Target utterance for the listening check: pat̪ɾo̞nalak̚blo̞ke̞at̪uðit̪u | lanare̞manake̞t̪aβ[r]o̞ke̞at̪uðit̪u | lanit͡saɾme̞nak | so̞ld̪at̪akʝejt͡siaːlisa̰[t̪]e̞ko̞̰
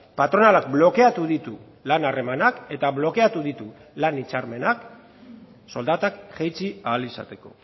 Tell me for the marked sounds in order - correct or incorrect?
incorrect: l, correct

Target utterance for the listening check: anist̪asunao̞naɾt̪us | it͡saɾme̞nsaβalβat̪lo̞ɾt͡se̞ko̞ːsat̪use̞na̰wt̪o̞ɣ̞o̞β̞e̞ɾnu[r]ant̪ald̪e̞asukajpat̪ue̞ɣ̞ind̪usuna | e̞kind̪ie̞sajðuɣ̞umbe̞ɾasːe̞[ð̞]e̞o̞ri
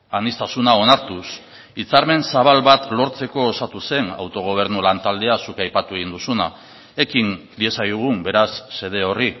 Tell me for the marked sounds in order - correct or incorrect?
incorrect: l, correct

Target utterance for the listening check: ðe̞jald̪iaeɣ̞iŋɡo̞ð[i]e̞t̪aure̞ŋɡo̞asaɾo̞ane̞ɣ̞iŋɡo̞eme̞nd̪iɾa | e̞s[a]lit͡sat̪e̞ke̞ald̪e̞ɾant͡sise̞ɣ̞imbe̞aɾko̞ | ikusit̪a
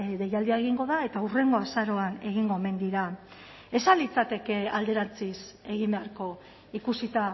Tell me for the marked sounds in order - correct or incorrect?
incorrect: a, correct

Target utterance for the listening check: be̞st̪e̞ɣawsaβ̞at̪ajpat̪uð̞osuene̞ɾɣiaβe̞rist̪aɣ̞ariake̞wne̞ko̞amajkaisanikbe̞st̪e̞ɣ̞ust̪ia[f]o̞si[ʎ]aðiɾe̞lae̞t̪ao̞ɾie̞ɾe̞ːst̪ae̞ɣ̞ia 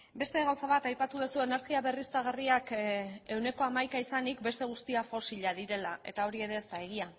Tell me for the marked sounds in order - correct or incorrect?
correct, correct

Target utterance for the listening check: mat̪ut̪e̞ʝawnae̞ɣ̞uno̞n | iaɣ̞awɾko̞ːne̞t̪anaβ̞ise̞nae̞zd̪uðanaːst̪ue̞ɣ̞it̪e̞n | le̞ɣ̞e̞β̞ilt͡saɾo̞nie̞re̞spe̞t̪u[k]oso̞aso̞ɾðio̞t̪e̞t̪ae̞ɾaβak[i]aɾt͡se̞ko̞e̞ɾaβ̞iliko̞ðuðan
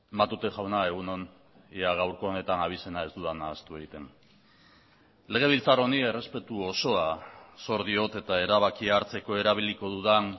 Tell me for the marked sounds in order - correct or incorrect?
incorrect: none, correct

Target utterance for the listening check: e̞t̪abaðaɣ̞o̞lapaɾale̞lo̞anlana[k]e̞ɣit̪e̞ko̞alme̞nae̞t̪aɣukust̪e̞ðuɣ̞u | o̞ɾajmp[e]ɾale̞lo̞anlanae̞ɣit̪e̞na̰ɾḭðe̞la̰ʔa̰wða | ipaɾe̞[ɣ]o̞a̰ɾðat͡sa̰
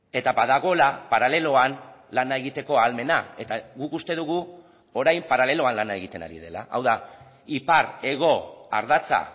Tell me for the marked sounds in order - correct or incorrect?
incorrect: none, incorrect: a, correct

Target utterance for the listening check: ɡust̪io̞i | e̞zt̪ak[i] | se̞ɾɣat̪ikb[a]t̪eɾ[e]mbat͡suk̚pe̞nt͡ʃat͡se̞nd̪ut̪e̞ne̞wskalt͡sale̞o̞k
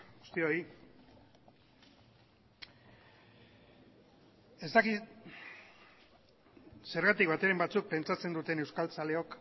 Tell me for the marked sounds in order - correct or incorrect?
correct, correct, correct

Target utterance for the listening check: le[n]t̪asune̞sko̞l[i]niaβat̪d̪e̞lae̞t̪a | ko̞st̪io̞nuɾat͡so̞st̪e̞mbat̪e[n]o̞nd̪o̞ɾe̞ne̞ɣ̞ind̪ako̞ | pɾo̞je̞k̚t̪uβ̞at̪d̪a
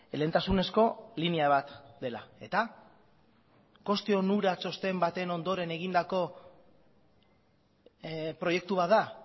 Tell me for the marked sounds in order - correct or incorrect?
correct, correct, correct

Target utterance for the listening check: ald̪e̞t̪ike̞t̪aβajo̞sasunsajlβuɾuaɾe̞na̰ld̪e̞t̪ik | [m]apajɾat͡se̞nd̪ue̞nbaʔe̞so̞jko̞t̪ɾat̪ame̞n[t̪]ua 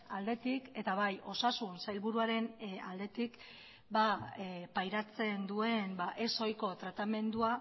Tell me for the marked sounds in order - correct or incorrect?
incorrect: b, incorrect: d̪

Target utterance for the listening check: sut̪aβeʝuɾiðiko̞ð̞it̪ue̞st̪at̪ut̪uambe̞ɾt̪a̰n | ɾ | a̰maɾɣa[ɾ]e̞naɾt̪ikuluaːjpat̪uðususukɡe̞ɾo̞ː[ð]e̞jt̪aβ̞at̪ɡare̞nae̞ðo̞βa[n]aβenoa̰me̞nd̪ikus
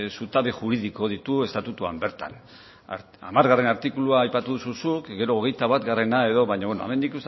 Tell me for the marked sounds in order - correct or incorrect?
incorrect: r, incorrect: ɣ, incorrect: ɲ

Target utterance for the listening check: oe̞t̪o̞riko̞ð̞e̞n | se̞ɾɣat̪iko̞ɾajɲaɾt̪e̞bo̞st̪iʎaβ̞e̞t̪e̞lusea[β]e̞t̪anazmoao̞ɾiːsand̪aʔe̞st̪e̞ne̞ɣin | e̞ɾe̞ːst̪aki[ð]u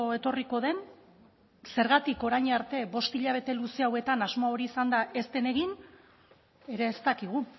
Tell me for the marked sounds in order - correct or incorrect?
incorrect: w, incorrect: ɣ

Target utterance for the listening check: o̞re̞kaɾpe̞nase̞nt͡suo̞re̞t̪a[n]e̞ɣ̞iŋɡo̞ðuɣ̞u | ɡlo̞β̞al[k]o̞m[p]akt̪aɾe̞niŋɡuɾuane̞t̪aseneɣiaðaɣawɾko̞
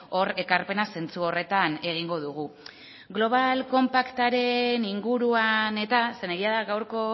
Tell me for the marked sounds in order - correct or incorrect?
correct, correct, correct

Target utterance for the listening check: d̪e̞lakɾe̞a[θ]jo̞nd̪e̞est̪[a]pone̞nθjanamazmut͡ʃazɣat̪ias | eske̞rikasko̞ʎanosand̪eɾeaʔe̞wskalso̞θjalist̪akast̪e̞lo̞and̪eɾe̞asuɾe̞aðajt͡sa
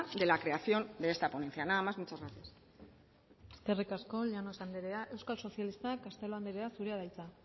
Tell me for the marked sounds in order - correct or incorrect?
correct, correct

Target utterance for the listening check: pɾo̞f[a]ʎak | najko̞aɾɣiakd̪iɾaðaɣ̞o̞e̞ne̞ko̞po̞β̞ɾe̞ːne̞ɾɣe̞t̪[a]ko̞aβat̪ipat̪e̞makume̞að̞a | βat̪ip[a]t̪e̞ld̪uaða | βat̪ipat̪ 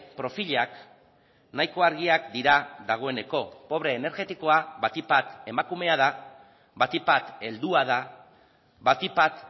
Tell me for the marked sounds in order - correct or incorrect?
incorrect: i, incorrect: i, correct

